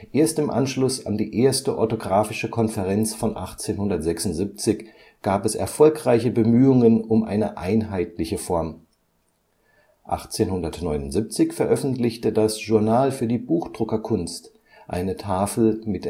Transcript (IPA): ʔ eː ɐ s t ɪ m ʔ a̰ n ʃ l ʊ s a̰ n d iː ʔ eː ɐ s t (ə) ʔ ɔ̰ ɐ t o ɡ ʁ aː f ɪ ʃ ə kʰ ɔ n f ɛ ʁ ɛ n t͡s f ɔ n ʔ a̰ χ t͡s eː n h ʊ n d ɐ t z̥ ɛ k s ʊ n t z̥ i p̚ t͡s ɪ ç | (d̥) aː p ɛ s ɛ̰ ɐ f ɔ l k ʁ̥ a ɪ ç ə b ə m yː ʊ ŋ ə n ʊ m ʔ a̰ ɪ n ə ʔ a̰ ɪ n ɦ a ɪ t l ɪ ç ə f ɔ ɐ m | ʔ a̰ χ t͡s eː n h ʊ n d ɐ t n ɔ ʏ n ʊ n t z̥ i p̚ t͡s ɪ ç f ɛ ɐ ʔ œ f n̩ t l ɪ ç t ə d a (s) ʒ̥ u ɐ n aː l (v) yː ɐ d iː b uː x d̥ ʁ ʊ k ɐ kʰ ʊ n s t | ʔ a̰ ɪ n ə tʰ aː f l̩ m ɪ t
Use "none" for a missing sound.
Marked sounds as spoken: ə, ɡ̥, s, f

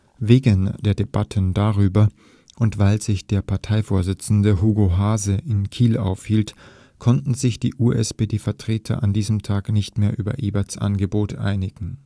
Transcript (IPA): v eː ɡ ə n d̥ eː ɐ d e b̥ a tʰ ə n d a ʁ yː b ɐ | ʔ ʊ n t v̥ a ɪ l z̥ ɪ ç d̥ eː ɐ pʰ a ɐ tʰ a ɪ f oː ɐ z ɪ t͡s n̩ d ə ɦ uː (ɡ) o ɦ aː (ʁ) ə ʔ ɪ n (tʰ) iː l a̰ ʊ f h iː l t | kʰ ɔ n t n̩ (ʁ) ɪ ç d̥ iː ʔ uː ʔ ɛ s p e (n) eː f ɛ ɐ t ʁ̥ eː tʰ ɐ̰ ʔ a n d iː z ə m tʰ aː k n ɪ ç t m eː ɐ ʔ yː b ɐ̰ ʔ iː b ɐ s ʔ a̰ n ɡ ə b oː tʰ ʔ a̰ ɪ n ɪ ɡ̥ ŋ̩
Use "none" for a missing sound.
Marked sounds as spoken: ɡ, z, kʰ, z, d

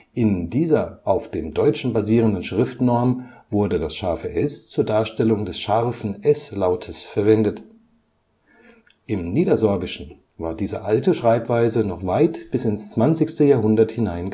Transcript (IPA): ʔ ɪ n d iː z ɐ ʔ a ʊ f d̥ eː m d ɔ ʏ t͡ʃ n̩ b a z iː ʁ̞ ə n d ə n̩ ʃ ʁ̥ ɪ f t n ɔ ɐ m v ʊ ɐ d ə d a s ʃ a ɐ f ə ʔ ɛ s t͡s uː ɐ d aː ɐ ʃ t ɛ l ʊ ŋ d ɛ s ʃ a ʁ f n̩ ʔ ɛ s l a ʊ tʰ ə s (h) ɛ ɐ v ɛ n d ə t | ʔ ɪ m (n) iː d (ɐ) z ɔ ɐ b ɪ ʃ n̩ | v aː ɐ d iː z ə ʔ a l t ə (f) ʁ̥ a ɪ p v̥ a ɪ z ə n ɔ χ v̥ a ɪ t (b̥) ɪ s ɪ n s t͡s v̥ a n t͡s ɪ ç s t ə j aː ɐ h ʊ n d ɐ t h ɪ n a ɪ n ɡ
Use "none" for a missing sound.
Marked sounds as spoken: f, n, ɐ, ʃ, b̥

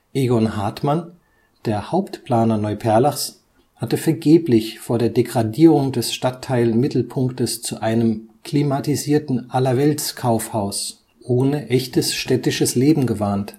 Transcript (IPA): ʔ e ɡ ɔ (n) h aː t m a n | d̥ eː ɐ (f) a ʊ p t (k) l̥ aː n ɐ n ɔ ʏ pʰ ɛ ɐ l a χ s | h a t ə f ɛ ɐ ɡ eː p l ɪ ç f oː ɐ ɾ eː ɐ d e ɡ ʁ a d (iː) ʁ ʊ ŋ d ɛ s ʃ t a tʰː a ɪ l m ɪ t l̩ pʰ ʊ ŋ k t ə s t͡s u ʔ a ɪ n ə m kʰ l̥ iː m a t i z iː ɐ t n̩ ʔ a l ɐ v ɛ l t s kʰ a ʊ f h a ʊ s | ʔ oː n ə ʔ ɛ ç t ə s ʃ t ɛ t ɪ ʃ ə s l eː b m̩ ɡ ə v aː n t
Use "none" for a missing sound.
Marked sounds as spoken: n, h, p, iː

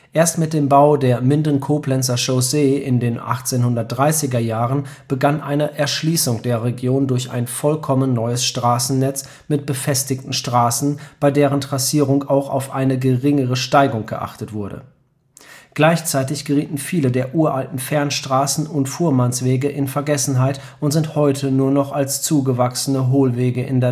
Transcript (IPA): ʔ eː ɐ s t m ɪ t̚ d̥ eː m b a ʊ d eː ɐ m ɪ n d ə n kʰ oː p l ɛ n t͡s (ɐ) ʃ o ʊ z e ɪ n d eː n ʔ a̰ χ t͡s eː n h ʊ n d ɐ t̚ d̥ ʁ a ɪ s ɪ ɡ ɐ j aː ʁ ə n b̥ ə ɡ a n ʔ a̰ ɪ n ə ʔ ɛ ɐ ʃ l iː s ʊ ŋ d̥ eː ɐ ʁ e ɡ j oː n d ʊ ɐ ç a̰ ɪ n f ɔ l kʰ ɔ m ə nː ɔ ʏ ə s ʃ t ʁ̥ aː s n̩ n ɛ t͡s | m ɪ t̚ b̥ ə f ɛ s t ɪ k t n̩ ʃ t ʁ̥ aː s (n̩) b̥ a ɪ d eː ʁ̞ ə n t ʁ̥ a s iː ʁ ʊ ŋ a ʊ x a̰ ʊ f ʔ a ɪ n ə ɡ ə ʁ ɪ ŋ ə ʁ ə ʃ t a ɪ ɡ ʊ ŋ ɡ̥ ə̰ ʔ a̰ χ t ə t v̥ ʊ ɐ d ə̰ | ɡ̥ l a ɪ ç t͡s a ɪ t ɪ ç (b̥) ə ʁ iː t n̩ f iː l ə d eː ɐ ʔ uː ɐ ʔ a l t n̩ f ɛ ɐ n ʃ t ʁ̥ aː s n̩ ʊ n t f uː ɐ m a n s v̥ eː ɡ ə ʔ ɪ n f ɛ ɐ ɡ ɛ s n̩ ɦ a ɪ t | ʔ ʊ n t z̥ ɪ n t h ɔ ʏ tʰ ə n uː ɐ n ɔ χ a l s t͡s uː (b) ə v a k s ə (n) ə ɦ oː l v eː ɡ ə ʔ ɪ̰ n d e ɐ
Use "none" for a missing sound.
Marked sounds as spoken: ɐ, n̩, ɡ̥, ɡ, n

